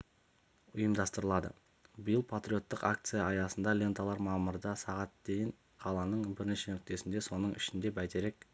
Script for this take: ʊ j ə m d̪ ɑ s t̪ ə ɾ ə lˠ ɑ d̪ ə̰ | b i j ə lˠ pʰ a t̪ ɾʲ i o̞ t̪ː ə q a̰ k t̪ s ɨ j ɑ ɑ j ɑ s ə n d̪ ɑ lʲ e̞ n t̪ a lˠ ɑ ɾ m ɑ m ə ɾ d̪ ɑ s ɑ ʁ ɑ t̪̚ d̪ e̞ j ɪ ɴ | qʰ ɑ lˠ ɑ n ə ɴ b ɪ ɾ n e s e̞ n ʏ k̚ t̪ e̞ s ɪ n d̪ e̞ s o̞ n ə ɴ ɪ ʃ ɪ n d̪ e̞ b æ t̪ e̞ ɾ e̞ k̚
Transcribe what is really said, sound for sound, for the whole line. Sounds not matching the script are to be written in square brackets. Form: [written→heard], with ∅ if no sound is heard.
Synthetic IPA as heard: ʊ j ə m d̪ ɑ s t̪ ə ɾ ə lˠ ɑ d̪ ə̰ | b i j ə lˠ pʰ a t̪ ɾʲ i o̞ t̪ː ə q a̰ k t̪ s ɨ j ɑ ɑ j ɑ s ə n d̪ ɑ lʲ e̞ n t̪ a lˠ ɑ ɾ m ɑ m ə ɾ d̪ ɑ s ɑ ʁ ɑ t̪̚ d̪ e̞ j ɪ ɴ | qʰ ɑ lˠ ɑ n ə ɴ b ɪ ɾ n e [s→ʃ] e̞ n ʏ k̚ t̪ e̞ s ɪ n d̪ e̞ s o̞ n ə ɴ ɪ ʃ ɪ n d̪ e̞ b æ t̪ e̞ ɾ e̞ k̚